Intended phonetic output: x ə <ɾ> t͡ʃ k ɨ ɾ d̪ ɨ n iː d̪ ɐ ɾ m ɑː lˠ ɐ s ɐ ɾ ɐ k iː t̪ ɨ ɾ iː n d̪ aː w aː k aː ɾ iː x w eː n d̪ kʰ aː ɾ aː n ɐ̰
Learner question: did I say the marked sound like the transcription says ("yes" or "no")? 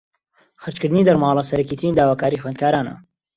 yes